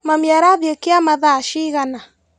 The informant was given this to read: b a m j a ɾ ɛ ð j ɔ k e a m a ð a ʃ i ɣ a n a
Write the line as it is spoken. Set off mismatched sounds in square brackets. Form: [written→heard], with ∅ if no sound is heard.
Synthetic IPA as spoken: [b→m] a m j a ɾ [ɛ→a] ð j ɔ k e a m a ð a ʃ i ɣ a n a